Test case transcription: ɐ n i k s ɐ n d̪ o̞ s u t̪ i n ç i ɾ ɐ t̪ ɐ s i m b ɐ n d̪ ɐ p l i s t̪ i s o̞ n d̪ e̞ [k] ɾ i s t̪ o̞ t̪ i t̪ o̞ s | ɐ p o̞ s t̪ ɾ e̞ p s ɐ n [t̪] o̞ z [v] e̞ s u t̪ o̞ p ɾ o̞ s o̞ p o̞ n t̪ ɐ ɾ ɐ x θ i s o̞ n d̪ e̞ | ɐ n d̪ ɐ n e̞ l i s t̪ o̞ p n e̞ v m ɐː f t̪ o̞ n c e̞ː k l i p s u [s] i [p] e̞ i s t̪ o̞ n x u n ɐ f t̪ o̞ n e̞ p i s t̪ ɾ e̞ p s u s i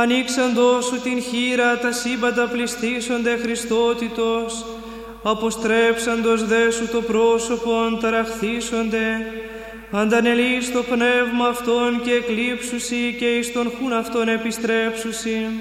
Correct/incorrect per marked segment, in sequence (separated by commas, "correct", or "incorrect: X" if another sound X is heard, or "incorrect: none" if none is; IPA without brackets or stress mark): incorrect: x, incorrect: d̪, incorrect: ð, correct, incorrect: c